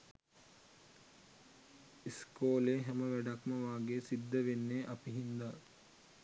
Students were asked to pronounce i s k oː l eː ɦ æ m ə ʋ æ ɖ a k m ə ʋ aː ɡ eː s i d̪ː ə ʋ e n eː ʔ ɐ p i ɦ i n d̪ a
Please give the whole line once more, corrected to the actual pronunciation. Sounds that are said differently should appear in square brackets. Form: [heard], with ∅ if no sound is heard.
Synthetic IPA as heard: i s k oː l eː ɦ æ m ə ʋ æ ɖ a k m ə ʋ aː ɡ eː s i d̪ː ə ʋ e [nː] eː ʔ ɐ p i ɦ i n d̪ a